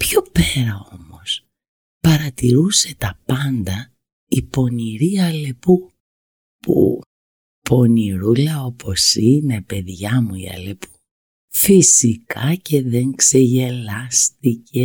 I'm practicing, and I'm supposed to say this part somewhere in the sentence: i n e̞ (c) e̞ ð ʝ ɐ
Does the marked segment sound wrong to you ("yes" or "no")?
yes